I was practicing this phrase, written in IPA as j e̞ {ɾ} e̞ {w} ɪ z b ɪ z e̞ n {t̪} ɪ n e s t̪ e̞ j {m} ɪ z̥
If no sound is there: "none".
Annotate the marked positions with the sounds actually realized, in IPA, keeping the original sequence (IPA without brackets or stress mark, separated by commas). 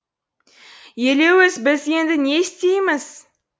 l, w, d̪, m